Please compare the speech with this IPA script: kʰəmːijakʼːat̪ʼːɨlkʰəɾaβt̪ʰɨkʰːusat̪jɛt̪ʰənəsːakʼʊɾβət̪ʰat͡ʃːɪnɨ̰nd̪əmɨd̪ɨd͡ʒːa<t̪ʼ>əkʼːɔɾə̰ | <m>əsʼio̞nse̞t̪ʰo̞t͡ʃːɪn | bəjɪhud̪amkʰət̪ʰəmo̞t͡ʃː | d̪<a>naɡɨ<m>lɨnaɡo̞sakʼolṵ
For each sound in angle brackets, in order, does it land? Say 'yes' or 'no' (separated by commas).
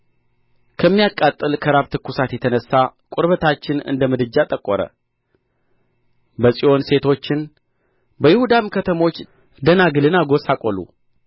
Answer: yes, no, no, no